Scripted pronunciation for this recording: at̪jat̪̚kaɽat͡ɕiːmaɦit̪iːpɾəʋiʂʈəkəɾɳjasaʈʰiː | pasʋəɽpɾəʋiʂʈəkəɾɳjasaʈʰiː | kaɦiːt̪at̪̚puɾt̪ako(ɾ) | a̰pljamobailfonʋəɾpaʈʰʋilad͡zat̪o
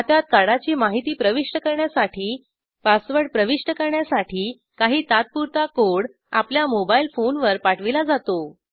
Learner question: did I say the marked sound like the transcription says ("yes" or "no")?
no